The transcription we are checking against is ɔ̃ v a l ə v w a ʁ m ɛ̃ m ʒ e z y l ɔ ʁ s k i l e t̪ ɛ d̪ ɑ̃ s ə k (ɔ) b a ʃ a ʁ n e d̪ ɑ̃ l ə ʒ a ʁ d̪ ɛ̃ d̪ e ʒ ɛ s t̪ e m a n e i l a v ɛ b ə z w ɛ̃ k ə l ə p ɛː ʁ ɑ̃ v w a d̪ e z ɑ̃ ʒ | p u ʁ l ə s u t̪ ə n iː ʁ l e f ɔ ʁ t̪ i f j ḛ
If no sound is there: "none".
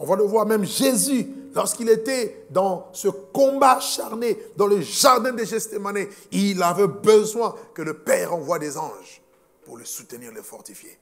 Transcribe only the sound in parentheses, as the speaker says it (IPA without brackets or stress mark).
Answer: ɔ̃